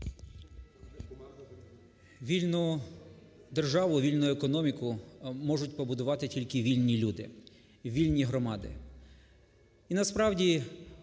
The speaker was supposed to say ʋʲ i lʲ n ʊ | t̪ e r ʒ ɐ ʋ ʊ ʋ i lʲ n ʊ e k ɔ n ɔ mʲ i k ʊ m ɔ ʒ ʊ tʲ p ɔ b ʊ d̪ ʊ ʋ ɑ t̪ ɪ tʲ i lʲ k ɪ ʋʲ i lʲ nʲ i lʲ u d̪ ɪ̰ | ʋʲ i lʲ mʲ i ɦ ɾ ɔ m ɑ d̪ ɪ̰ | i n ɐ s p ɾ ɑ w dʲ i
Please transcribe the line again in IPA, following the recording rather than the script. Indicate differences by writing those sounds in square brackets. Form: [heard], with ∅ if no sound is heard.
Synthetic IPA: ʋʲ i lʲ n ʊ | [d̪] e r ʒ [ɑ] ʋ ʊ ʋ i lʲ n ʊ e k ɔ n ɔ mʲ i k ʊ m ɔ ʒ ʊ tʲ p ɔ b ʊ d̪ ʊ ʋ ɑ t̪ ɪ tʲ i lʲ k ɪ ʋʲ i lʲ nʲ i lʲ u d̪ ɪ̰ | ʋʲ i lʲ [nʲ] i ɦ ɾ ɔ m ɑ d̪ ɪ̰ | i n ɐ s p ɾ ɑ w dʲ i